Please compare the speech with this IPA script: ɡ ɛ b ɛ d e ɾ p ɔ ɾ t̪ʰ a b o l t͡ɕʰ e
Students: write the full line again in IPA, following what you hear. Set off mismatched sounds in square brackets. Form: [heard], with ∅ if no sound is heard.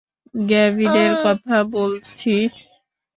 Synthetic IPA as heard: ɡ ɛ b [i] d e ɾ [k] ɔ [∅] t̪ʰ a b o l t͡ɕʰ [i]